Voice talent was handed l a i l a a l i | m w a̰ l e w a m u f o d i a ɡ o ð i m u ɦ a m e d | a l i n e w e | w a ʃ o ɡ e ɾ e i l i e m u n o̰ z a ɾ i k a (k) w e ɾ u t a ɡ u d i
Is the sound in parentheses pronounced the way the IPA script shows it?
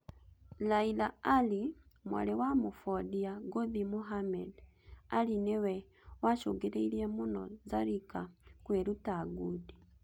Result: yes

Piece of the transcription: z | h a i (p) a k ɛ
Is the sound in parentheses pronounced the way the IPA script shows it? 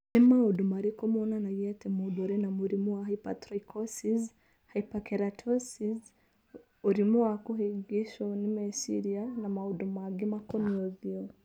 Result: yes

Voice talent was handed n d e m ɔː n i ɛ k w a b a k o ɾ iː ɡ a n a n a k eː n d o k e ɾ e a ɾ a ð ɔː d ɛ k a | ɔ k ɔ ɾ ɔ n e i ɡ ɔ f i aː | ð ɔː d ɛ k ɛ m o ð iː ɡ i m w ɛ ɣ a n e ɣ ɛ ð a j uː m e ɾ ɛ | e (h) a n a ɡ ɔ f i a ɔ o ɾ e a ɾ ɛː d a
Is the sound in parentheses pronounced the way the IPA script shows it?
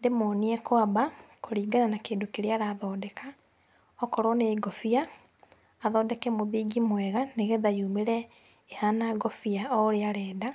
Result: yes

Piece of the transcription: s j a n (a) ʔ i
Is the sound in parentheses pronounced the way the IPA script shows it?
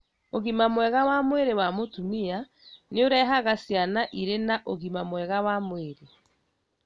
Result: yes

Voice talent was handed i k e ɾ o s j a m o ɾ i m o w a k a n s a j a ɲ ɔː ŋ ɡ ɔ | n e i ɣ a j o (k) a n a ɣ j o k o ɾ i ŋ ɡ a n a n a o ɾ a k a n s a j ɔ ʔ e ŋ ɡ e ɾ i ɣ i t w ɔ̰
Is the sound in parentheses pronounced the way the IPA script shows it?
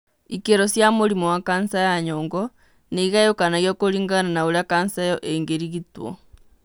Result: yes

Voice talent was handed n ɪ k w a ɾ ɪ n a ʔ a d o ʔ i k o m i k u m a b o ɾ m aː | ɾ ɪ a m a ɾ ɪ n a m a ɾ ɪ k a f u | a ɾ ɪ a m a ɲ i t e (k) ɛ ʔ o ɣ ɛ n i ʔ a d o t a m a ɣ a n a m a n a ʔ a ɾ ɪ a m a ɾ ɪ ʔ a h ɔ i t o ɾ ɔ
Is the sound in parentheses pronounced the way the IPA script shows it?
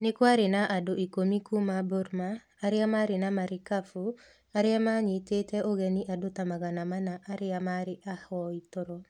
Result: no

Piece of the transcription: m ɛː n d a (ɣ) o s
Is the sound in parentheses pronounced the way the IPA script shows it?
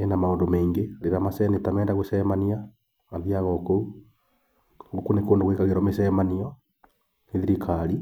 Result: yes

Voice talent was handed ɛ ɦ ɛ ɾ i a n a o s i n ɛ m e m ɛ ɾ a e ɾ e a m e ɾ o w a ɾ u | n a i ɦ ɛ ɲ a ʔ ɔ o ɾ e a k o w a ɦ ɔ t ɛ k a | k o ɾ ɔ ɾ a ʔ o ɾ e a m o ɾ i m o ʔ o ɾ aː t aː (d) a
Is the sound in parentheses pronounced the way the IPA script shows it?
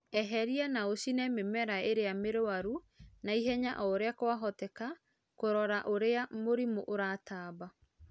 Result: no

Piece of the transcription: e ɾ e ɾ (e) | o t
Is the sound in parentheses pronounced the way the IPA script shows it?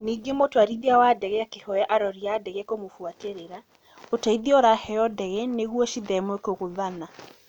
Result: no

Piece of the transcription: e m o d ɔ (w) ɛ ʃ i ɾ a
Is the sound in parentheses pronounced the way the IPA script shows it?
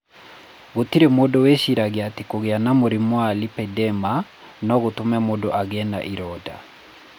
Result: yes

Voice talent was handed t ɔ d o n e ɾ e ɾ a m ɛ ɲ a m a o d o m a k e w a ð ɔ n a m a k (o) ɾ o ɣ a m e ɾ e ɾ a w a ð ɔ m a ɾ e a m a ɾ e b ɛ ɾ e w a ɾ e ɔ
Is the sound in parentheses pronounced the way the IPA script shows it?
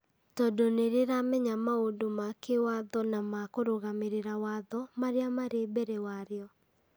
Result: yes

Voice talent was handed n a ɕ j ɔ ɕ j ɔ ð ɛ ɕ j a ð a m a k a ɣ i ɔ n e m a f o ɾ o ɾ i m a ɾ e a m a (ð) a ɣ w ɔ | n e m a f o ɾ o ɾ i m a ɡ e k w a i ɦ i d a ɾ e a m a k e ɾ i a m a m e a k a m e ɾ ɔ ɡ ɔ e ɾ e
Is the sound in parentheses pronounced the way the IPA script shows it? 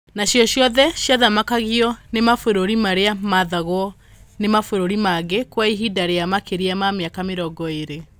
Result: yes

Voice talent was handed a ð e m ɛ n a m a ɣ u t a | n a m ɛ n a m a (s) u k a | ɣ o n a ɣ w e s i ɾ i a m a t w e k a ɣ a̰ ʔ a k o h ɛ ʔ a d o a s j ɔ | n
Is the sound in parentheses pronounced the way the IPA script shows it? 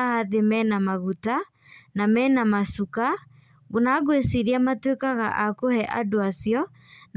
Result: yes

